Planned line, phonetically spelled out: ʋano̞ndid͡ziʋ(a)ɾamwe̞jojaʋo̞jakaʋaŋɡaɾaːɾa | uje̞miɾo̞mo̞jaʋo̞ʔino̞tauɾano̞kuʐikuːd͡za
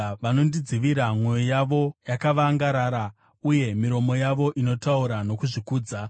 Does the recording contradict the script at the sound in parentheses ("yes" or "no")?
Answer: yes